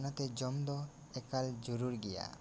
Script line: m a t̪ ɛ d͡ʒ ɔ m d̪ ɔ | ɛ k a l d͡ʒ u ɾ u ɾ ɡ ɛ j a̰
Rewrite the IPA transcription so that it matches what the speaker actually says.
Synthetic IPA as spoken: n a t̪ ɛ d͡ʒ ɔ m d̪ ɔ | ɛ k a l d͡ʒ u ɾ u ɾ ɡ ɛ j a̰